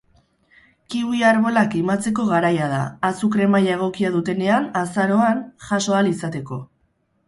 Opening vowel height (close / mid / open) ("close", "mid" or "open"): close